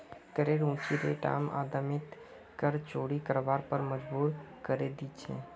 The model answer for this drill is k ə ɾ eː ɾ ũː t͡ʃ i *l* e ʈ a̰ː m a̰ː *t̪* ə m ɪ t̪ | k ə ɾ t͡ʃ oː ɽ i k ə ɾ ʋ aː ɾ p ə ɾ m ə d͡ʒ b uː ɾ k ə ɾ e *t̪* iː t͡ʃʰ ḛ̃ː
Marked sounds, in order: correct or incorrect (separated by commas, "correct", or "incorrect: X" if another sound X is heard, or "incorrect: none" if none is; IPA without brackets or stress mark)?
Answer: incorrect: ɾ, incorrect: d̪, incorrect: d̪